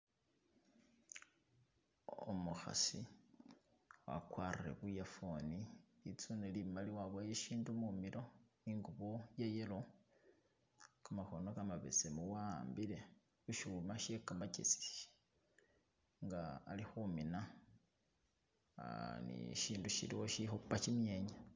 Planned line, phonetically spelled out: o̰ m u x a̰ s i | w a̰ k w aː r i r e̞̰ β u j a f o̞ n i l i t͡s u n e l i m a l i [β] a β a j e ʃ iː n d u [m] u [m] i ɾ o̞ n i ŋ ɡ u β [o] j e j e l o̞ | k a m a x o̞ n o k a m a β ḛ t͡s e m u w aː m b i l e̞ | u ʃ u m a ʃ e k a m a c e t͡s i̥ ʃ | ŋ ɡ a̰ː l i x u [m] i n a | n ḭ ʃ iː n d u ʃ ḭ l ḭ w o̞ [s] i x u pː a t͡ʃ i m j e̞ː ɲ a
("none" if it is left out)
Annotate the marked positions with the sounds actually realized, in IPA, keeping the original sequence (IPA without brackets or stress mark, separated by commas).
w, m, m, o, m, ʃ